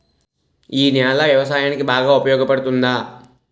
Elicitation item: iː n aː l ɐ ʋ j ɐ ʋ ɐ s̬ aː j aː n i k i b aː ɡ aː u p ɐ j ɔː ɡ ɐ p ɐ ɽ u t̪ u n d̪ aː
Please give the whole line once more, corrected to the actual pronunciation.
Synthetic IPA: iː n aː l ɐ ʋ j ɐ ʋ ɐ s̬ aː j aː n i k i b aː ɡ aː u p ɐ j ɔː ɡ ɐ p ɐ ɽ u t̪ u n d̪ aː

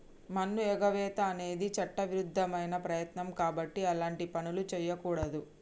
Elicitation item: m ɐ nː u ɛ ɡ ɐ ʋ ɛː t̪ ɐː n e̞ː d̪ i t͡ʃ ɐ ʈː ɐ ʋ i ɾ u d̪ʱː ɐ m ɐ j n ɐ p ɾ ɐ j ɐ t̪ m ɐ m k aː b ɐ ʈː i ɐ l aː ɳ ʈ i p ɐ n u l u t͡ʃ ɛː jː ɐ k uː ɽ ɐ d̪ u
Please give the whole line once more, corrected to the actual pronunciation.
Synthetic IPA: m ɐ nː u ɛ ɡ ɐ ʋ ɛː t̪ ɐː n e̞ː d̪ i t͡ʃ ɐ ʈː ɐ ʋ i ɾ u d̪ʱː ɐ m ɐ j n ɐ p ɾ ɐ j ɐ t̪ n ɐ m k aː b ɐ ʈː i ɐ l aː ɳ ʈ i p ɐ n u l u t͡ʃ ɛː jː ɐ k uː ɽ ɐ d̪ u

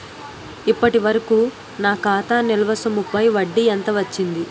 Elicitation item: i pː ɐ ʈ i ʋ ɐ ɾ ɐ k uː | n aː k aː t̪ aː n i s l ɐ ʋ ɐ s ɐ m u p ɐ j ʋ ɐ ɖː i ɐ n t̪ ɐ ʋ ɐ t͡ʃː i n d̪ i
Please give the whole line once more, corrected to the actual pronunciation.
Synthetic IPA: i pː ɐ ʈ i ʋ ɐ ɾ ɐ k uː | n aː k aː t̪ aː n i l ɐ ʋ ɐ s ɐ m u p ɐ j ʋ ɐ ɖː i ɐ n t̪ ɐ ʋ ɐ t͡ʃː i n d̪ i

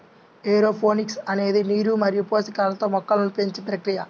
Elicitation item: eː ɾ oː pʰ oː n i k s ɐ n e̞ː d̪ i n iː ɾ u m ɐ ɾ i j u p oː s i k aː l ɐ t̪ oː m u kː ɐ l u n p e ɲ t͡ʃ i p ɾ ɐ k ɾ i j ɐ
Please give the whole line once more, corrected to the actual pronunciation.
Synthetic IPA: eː ɾ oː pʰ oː n i k s ɐ n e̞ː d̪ i n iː ɾ u m ɐ ɾ i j u p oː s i k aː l ɐ t̪ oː m ɔ kː ɐ l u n p e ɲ t͡ʃ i p ɾ ɐ k ɾ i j ɐ

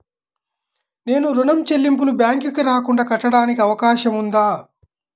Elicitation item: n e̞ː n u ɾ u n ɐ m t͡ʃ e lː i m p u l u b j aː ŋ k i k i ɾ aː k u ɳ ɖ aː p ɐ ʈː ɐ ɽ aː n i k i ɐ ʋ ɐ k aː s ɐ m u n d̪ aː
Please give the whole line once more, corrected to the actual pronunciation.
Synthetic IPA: n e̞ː n u ɾ u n ɐ m t͡ʃ e lː i m p u l u b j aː ŋ k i k i ɾ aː k u ɳ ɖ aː k ɐ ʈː ɐ ɽ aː n i k i ɐ ʋ ɐ k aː ʃ ɐ m u n d̪ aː

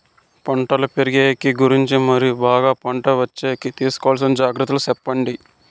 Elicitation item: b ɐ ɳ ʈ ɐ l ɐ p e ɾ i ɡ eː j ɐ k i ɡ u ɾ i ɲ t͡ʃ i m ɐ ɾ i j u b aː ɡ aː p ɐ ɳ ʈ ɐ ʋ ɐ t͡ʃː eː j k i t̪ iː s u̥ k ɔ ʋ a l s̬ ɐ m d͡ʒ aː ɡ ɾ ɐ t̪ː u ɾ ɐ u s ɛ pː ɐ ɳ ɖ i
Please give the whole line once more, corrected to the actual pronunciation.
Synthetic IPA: p ɐ ɳ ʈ ɐ l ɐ p e ɾ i ɡ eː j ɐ k i ɡ u ɾ i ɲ t͡ʃ i m ɐ ɾ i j u b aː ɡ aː p ɐ ɳ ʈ ɐ ʋ ɐ t͡ʃː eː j k i t̪ iː s u̥ k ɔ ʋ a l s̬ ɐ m d͡ʒ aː ɡ ɾ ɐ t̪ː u l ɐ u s ɛ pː ɐ ɳ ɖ i

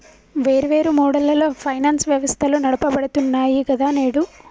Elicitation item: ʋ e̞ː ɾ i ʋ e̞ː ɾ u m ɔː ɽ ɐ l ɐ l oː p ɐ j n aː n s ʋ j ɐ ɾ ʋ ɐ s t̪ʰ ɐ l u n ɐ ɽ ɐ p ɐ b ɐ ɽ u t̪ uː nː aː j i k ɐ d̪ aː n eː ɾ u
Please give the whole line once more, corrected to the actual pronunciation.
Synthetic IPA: ʋ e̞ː ɾ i ʋ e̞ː ɾ u m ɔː ɽ ɐ l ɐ l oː pʰ ɐ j n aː n s ʋ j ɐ ʋ ɐ s t̪ʰ ɐ l u n ɐ ɽ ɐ p ɐ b ɐ ɽ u t̪ u nː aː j i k ɐ d̪ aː n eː ɽ u

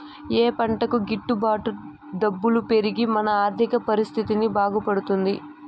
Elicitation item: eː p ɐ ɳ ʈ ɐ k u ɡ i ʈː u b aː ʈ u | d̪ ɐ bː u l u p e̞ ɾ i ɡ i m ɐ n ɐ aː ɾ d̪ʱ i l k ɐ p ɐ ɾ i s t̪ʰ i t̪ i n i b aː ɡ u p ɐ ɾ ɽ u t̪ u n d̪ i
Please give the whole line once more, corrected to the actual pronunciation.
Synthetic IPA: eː p ɐ ɳ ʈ ɐ k u ɡ i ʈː u b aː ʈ u | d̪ ɐ bː u l u p e̞ ɾ i ɡ i m ɐ n ɐ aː ɾ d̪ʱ i k ɐ p ɐ ɾ i s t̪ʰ i t̪ i n i b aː ɡ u p ɐ ɽ u t̪ u n d̪ i

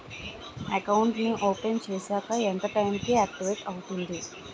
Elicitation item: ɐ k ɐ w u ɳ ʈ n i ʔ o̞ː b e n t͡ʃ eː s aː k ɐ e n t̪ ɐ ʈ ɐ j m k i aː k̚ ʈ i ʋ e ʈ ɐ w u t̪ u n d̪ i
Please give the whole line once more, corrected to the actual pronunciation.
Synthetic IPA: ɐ k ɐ w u ɳ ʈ n i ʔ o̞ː p e n t͡ʃ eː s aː k ɐ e n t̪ ɐ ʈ ɐ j m k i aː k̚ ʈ i ʋ e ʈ ɐ w u t̪ u n d̪ i

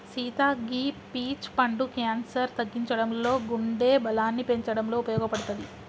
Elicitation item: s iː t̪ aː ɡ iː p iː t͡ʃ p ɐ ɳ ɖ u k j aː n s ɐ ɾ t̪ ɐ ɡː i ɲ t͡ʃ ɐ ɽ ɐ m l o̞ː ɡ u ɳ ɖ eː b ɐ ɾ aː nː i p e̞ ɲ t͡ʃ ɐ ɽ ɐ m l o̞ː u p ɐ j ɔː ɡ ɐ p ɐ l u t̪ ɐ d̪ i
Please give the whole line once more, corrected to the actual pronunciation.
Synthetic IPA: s iː t̪ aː ɡ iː p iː t͡ʃ p ɐ ɳ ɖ u k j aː n s ɐ ɾ t̪ ɐ ɡː i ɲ t͡ʃ ɐ ɽ ɐ m l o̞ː ɡ u ɳ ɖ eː b ɐ l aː nː i p e̞ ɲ t͡ʃ ɐ ɽ ɐ m l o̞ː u p ɐ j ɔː ɡ ɐ p ɐ ɽ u t̪ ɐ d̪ i

